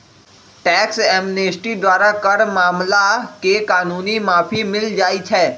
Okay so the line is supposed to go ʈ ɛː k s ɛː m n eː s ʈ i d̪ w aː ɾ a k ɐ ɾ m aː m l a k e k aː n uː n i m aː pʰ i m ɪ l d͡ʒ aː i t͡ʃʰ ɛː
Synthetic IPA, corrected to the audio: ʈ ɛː k s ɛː m n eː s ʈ i d̪ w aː ɾ a k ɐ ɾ m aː m l a k e k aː n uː n i m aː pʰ i m ɪ l d͡ʒ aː i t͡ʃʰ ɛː

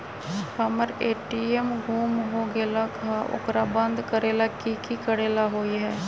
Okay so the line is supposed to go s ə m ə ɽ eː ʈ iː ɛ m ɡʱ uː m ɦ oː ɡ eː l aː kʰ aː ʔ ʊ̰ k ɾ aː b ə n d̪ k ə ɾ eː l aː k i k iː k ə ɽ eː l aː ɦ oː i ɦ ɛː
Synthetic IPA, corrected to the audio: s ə m ə ɾ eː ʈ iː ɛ m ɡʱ uː m ɦ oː ɡ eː l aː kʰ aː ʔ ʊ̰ k ɾ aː b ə n d̪ k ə ɾ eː l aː k i k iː k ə ɽ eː l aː ɦ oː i ɦ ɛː

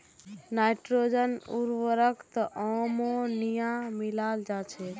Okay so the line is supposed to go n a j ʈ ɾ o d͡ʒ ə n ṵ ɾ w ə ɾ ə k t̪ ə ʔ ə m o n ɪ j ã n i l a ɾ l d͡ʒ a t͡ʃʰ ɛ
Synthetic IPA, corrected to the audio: n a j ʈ ɾ o d͡ʒ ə n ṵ ɾ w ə ɾ ə k t̪ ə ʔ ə m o n i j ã m i l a l d͡ʒ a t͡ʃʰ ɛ

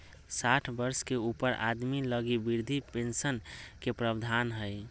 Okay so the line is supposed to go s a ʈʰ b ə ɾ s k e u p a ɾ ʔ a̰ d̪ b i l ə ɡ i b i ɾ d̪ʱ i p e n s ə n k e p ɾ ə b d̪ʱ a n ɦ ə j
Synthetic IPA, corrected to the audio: s a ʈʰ b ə ɾ s k e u p ə ɾ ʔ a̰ d̪ m i l ə ɡ i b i ɾ d̪ʱ i p e n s ə n k e p ɾ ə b d̪ʱ a n ɦ ə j

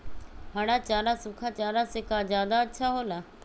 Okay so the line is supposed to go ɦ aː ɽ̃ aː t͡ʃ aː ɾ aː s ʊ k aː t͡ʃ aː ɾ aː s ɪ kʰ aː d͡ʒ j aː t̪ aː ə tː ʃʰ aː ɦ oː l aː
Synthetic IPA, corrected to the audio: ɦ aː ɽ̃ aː t͡ʃ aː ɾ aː s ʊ kʰ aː t͡ʃ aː ɾ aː s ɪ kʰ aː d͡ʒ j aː d̪ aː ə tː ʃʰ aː ɦ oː l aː

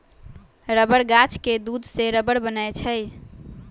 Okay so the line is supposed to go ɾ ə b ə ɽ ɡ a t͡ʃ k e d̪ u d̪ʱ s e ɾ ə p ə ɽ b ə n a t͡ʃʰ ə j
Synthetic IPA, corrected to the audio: ɾ ə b ə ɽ ɡ a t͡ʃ k e d̪ u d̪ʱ s e ɾ ə b ə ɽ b ə n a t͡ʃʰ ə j

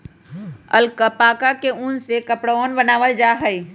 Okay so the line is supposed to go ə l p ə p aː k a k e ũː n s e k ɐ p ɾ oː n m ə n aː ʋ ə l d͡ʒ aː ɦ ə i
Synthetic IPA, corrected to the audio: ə l k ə p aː k a k e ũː n s e k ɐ p ɽ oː n b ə n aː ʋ ə l d͡ʒ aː ɦ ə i

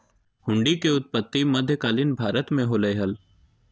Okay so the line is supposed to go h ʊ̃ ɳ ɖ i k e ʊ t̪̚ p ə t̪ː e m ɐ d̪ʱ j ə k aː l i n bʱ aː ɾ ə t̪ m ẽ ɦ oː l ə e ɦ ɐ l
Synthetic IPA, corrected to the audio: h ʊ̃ ɳ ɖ i k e ʊ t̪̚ p ə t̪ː i m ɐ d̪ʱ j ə k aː l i n bʱ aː ɾ ə t̪ m ẽ ɦ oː l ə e ɦ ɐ l

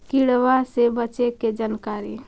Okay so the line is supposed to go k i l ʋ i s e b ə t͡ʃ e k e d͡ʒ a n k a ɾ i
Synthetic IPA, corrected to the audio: k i ɽ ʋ a s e b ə t͡ʃ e k e d͡ʒ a n k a ɾ i

